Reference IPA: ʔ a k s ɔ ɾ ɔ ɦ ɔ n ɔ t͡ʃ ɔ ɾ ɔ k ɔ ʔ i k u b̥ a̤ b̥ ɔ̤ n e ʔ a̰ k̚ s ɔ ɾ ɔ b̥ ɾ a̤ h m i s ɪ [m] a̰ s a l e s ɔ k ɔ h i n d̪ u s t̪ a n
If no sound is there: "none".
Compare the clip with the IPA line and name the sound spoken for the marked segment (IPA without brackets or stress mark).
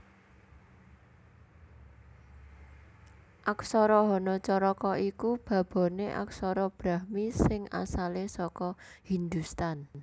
ŋ